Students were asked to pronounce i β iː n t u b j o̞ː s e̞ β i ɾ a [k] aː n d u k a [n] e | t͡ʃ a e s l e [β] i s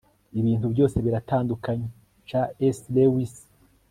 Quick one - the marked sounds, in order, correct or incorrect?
incorrect, incorrect, incorrect

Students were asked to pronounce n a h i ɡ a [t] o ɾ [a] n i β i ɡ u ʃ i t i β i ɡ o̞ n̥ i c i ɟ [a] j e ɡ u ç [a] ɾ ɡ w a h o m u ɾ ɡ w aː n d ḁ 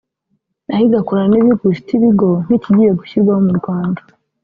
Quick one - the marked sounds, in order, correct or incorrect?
incorrect, correct, incorrect, incorrect

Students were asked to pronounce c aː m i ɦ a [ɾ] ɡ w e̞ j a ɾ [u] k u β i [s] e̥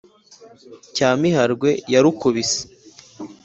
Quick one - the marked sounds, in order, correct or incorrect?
correct, correct, correct

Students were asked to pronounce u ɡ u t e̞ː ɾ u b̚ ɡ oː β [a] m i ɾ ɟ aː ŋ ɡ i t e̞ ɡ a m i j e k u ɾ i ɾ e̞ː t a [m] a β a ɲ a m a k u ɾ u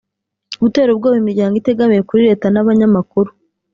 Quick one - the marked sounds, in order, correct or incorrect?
incorrect, incorrect

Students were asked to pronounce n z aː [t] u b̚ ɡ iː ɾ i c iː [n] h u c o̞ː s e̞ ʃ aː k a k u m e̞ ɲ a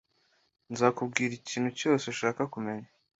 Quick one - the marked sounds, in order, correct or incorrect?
incorrect, correct

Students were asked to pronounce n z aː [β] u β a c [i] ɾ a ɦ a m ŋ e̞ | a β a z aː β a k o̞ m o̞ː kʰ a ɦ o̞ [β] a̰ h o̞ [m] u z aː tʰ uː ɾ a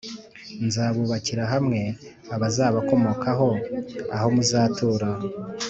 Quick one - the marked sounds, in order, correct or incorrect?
correct, correct, incorrect, correct

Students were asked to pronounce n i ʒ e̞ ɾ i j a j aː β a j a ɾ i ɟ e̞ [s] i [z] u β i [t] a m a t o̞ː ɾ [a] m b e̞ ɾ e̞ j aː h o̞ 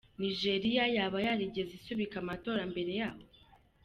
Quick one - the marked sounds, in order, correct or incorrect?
incorrect, incorrect, incorrect, correct

